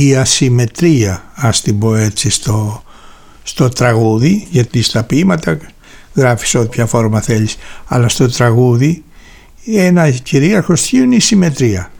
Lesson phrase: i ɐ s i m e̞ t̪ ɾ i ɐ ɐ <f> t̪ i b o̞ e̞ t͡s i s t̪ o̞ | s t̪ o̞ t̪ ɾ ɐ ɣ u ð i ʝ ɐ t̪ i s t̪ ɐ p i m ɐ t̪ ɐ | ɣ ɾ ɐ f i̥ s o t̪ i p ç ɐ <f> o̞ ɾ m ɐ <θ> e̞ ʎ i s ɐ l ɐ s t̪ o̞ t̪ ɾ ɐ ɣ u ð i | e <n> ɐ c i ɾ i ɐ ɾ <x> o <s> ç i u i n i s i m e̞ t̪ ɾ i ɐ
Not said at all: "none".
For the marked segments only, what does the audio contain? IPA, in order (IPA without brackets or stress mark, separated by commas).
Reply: s, f, θ, n, x, s